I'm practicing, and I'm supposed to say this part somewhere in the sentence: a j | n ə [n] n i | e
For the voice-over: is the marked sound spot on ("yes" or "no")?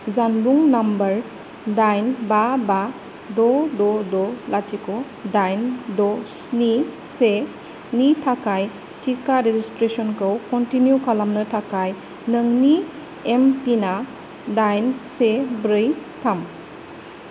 no